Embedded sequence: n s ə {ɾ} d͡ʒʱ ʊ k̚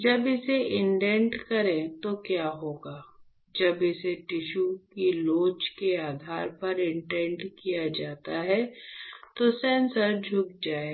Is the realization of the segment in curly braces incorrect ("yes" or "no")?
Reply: no